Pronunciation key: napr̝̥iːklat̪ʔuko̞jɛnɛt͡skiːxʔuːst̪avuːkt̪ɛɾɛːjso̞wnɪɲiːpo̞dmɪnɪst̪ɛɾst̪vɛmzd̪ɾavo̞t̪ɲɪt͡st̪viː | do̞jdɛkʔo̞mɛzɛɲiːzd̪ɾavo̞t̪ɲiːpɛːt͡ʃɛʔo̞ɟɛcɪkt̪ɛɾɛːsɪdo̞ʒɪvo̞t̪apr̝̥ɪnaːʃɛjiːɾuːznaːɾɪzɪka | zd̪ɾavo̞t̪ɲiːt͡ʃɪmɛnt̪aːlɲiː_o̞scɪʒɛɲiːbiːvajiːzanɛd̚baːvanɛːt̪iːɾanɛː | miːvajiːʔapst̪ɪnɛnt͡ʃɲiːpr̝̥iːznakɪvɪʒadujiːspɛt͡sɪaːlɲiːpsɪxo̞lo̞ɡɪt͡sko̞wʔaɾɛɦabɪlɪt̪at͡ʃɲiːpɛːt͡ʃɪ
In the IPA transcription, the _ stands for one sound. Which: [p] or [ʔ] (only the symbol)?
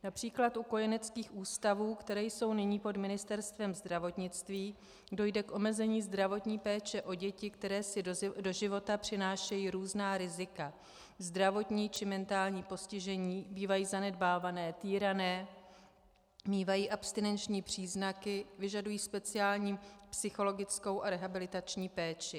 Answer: p